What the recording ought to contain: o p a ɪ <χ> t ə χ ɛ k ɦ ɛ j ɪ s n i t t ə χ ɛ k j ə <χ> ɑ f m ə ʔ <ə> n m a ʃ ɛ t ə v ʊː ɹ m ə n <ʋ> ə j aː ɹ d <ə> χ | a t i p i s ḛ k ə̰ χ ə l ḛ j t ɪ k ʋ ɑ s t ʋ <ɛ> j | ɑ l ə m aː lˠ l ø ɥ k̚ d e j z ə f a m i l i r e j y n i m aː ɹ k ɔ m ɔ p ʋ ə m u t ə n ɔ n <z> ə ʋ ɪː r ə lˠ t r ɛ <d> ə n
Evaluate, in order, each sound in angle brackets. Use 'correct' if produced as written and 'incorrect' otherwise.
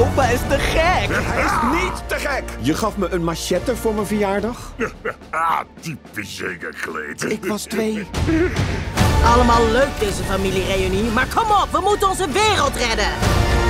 incorrect, correct, correct, incorrect, incorrect, incorrect, correct, correct

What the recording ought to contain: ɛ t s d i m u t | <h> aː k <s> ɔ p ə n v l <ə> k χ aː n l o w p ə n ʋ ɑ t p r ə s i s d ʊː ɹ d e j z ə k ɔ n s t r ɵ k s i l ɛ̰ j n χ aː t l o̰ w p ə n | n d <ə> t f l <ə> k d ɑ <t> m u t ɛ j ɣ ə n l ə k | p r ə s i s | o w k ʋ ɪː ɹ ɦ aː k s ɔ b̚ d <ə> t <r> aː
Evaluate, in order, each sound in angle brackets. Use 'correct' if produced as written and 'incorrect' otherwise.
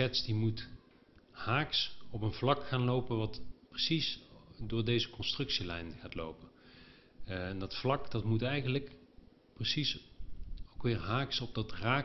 correct, correct, incorrect, incorrect, incorrect, correct, incorrect, correct

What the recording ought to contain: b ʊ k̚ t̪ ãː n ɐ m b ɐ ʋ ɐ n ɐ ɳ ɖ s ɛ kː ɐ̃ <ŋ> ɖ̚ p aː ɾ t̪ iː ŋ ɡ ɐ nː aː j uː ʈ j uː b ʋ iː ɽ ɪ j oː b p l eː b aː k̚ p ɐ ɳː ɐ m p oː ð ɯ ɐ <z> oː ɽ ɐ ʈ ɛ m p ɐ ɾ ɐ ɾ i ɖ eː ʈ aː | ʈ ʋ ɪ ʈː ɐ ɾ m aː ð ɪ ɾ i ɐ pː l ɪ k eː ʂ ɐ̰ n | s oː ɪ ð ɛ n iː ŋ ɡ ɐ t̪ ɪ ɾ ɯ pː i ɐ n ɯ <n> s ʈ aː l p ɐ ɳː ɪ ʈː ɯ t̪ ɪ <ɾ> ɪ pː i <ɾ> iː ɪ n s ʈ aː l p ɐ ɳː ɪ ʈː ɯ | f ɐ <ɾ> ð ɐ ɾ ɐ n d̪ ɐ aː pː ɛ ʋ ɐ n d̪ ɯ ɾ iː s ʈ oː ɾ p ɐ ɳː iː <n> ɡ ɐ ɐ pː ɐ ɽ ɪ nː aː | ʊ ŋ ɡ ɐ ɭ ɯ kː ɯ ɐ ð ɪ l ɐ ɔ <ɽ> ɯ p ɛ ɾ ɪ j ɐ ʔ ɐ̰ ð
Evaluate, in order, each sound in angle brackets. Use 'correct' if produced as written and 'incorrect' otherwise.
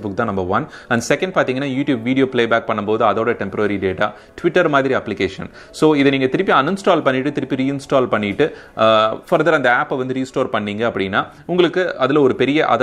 incorrect, incorrect, correct, correct, correct, correct, incorrect, incorrect

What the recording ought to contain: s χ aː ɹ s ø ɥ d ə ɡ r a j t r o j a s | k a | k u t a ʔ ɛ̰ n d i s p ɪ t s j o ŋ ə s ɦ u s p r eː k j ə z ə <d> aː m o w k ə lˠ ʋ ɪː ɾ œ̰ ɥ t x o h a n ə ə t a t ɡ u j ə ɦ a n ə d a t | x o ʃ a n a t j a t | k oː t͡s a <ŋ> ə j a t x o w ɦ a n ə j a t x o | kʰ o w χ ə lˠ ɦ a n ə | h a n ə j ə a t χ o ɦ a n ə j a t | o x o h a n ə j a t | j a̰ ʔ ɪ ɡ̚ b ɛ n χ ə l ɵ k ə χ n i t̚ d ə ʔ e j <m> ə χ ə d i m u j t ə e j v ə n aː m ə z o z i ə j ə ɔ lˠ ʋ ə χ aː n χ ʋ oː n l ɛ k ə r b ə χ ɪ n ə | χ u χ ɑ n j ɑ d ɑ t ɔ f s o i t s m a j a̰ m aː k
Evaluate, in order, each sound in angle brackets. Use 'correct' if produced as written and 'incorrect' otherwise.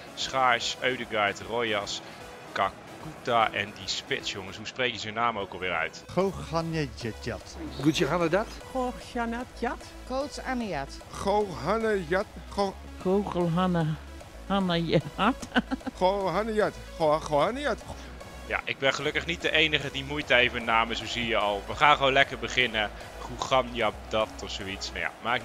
incorrect, incorrect, incorrect

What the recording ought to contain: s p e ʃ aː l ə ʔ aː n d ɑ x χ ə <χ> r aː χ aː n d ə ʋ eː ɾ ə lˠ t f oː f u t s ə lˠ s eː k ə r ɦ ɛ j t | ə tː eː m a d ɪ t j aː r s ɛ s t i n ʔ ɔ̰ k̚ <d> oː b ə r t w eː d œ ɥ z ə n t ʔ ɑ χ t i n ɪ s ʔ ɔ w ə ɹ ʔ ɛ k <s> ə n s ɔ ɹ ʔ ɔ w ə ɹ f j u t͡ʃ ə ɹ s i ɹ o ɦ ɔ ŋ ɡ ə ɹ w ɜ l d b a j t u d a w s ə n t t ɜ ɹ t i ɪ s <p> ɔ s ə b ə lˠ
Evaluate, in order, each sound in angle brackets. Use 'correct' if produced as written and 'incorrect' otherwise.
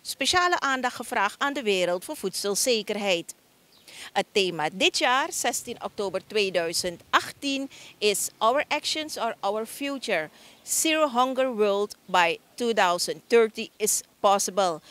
incorrect, incorrect, incorrect, correct

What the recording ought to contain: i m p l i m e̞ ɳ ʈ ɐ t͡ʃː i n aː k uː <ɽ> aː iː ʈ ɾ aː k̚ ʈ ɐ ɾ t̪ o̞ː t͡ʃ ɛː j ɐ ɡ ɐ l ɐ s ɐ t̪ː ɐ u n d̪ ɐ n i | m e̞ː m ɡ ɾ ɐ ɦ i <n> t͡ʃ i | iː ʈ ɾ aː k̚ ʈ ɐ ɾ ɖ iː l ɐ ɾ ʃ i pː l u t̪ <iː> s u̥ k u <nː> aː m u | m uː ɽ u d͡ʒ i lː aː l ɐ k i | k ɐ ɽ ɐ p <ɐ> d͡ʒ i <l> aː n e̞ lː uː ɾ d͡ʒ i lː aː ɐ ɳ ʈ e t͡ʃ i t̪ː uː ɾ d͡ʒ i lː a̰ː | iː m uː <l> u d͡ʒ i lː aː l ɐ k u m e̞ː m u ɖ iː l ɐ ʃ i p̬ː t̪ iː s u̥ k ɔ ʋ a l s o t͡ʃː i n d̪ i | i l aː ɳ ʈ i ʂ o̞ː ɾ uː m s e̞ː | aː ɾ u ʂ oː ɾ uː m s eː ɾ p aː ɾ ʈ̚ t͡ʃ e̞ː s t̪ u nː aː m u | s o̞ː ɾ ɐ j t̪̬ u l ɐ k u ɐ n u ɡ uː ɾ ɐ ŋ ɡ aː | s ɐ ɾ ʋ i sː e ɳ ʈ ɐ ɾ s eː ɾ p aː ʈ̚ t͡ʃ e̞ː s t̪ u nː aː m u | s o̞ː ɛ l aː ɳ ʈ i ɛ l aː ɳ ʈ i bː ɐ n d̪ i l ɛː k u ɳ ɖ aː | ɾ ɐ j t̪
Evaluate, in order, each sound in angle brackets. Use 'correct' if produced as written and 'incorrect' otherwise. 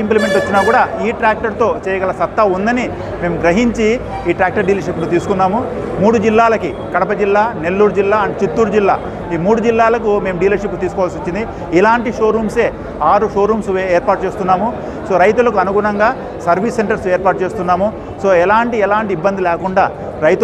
correct, incorrect, correct, correct, correct, incorrect, incorrect

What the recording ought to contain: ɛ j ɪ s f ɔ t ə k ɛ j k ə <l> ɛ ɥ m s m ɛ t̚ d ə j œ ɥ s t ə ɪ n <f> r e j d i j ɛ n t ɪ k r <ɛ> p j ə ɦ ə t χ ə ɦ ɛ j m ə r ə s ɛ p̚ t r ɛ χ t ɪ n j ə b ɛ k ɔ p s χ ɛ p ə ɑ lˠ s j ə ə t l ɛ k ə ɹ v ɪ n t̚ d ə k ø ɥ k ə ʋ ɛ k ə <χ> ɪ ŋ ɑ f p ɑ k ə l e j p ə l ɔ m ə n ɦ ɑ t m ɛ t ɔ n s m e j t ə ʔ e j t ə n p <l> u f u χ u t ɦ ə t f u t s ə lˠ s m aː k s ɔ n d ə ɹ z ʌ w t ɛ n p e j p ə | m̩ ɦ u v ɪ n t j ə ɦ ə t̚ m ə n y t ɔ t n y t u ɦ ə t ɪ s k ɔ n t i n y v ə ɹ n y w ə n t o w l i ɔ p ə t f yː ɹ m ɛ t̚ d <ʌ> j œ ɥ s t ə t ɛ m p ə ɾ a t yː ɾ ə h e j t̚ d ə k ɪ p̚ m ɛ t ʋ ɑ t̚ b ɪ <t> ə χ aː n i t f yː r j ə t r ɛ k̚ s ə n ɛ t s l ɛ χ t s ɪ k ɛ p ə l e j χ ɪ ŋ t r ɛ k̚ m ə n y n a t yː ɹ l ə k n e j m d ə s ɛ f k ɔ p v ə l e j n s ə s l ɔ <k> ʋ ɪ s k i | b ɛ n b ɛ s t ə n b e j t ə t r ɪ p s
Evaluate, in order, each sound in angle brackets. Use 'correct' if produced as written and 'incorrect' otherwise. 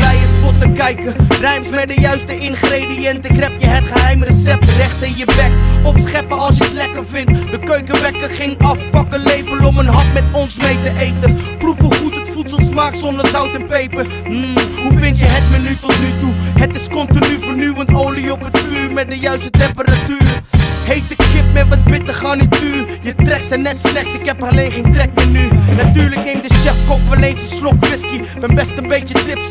incorrect, incorrect, correct, correct, incorrect, incorrect, correct, correct

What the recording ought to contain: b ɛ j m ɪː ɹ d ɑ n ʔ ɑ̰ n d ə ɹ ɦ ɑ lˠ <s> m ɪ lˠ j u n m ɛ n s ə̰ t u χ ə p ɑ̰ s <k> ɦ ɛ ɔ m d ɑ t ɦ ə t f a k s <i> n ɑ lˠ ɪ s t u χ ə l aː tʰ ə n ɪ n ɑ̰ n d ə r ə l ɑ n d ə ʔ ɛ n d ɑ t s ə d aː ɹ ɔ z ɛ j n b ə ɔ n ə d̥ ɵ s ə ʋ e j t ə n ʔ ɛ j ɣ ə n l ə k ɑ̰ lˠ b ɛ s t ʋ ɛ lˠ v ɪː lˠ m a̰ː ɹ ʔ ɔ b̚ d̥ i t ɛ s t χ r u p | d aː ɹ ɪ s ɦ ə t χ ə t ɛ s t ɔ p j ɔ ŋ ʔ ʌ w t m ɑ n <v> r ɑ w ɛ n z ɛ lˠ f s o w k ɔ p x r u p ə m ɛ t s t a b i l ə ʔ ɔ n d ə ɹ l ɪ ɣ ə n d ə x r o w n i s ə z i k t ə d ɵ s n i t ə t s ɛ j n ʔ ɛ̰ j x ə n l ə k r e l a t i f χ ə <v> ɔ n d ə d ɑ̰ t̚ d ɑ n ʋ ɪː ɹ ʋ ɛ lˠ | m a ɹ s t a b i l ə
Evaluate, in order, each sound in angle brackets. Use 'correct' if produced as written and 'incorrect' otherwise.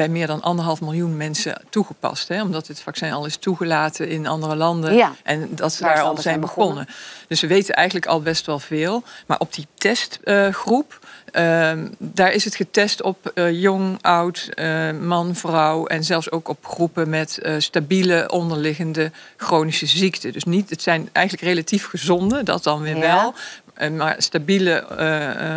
incorrect, incorrect, incorrect, correct, incorrect

